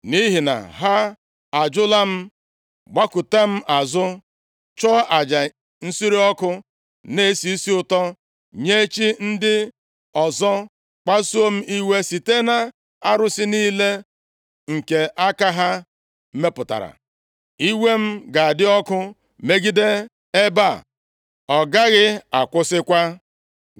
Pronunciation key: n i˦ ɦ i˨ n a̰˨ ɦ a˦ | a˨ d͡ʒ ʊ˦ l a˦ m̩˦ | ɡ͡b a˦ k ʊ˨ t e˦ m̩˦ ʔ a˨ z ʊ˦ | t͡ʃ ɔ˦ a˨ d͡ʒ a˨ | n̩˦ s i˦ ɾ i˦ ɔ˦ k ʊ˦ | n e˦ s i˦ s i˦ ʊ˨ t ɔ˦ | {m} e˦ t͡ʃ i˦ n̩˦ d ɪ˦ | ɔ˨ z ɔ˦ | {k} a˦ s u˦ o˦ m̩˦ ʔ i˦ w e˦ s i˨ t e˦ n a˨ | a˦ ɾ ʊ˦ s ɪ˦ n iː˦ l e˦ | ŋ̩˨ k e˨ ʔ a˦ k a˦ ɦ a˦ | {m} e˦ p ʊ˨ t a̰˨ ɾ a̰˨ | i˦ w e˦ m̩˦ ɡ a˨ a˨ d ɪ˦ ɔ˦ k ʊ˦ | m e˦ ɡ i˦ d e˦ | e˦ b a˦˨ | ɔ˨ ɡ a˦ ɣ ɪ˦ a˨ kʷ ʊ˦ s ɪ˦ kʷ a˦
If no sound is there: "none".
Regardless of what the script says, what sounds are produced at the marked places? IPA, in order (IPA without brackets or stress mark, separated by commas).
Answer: ɲ, k͡p, m